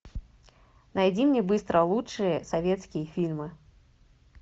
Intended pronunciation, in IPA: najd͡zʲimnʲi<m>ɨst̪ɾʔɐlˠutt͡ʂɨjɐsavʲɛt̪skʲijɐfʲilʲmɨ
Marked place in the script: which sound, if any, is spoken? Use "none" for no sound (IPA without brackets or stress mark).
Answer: b